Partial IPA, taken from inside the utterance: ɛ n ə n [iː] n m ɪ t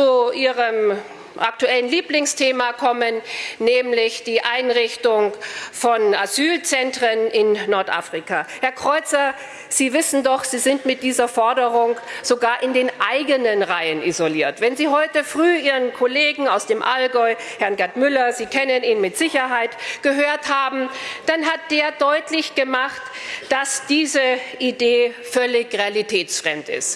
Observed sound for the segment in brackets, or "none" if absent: iː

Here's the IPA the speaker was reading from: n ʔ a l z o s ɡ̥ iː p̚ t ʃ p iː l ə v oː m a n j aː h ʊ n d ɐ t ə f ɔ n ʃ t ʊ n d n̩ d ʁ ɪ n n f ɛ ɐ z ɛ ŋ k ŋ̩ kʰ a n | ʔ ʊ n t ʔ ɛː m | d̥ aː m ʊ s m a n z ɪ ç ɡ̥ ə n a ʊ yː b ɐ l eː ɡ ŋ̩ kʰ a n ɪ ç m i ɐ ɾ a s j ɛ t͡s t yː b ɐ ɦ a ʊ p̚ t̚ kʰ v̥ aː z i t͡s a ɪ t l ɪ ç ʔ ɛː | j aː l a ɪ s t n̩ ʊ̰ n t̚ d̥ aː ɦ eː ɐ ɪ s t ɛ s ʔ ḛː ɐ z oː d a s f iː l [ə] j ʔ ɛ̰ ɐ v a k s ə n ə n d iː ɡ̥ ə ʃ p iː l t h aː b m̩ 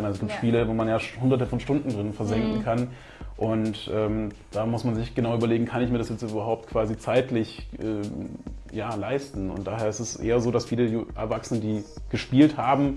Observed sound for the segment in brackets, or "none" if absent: ə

